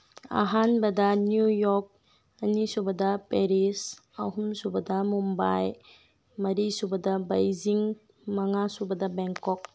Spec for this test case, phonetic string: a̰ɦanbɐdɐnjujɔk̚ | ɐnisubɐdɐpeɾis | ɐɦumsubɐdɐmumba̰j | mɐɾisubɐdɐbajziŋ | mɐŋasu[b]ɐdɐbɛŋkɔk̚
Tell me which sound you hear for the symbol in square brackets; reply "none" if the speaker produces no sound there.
b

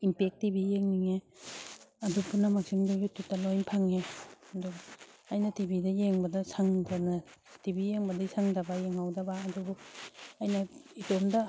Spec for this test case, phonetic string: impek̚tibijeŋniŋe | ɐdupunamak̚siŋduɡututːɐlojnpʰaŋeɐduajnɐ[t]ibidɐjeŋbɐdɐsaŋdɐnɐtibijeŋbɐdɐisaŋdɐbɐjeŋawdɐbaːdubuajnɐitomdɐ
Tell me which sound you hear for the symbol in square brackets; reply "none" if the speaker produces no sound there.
t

